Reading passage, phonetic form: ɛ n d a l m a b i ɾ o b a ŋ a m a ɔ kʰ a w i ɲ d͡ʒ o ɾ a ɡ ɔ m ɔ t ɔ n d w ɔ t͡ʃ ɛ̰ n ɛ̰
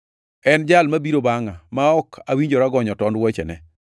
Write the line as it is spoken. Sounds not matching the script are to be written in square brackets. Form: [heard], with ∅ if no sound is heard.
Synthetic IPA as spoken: ɛ n [d͡ʒ] a l m a b i ɾ o b a ŋ a m a ɔ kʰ a w i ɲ d͡ʒ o ɾ a ɡ ɔ [ɲ] ɔ t ɔ n d w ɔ t͡ʃ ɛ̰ n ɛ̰